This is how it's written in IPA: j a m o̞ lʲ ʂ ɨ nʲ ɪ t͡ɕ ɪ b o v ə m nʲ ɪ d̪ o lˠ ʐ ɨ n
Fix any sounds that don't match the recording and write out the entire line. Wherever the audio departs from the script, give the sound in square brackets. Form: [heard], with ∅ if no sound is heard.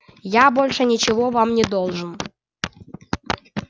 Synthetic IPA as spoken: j a [b] o̞ lʲ ʂ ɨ nʲ ɪ t͡ɕ ɪ [v] o v [a] m nʲ ɪ d̪ o lˠ ʐ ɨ n